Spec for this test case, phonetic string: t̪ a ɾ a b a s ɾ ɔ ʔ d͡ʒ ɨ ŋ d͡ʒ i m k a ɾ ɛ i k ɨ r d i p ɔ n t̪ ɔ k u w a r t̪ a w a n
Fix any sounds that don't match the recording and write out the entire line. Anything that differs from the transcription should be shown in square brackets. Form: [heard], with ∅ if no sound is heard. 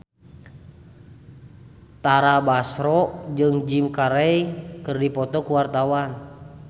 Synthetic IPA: t̪ a ɾ a b a s ɾ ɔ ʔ d͡ʒ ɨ ŋ d͡ʒ i m k a ɾ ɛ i k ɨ r d i p ɔ [∅] t̪ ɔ k u w a r t̪ a w a n